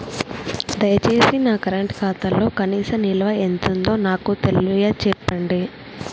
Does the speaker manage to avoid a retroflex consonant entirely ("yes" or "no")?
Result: no